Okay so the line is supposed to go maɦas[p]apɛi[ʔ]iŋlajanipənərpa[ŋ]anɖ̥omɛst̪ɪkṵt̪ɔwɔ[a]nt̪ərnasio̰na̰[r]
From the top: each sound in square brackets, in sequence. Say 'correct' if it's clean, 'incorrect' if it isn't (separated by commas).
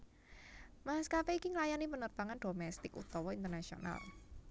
incorrect, incorrect, correct, incorrect, incorrect